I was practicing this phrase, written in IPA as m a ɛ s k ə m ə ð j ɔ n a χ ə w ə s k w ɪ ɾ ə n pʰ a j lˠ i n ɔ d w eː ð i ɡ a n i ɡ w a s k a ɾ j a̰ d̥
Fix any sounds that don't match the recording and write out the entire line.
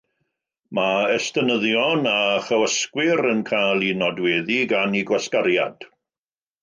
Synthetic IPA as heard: m a ɛ s t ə n ə ð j ɔ n a χ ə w ə s k w ɪ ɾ ə n kʰ a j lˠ i n ɔ d w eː ð i ɡ a n i ɡ w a s k a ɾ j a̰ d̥